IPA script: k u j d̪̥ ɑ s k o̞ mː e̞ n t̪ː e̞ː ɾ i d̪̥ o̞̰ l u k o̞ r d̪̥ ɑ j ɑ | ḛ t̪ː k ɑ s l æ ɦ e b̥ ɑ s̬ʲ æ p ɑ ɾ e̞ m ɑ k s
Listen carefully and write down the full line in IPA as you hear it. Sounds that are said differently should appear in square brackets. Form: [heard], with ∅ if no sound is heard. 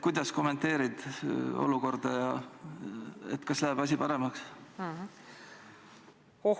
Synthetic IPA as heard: k u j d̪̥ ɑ s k o̞ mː e̞ n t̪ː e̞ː ɾ i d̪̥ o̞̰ l u k o̞ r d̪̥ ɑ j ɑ | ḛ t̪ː k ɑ s l æ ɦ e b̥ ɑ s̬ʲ [i] p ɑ ɾ e̞ m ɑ k s